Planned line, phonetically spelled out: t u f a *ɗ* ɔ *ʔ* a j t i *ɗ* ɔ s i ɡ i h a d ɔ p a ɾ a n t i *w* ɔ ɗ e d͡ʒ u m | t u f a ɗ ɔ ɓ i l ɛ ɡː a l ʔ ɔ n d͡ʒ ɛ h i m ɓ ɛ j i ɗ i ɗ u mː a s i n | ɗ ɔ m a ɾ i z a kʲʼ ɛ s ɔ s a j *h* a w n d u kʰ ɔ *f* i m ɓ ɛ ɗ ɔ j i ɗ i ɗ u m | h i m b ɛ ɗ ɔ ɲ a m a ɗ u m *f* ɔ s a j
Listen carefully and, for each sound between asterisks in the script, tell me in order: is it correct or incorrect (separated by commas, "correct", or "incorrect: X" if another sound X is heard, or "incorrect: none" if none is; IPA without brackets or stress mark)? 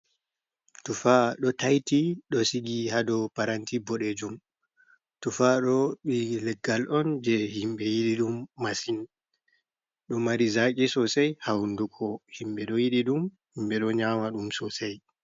correct, incorrect: t, correct, incorrect: b, correct, incorrect: h, incorrect: s